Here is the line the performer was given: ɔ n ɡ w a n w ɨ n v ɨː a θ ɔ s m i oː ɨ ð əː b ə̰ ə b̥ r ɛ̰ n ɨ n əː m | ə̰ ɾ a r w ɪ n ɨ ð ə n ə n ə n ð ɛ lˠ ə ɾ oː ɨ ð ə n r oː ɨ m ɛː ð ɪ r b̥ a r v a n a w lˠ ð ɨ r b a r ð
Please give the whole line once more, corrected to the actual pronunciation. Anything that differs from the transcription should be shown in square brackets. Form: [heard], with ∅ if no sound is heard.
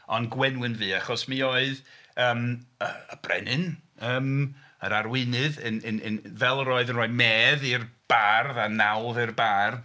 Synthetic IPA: ɔ n ɡ w [ɛ] n w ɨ n v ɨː a [χ] ɔ s m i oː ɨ ð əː [m] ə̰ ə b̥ r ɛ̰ n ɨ n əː m | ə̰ ɾ a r w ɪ n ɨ ð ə n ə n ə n [v] ɛ lˠ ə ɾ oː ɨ ð ə n r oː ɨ m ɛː ð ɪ r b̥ a r [ð] a n a w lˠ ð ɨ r b a r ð